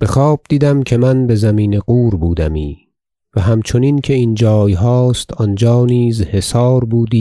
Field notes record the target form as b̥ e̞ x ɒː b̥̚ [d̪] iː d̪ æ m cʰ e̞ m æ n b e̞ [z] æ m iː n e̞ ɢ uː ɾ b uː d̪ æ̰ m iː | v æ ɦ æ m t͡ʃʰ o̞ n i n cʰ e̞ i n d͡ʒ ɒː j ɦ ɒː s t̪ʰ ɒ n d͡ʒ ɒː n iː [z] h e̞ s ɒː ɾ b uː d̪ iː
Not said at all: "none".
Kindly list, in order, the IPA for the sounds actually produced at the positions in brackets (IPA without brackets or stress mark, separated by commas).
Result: d̪, z, z